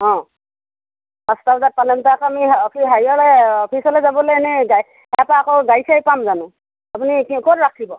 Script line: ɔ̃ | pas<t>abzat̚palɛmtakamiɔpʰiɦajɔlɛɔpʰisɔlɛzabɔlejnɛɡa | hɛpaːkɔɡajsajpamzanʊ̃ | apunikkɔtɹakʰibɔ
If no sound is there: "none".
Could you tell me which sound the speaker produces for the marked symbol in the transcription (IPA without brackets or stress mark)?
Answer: t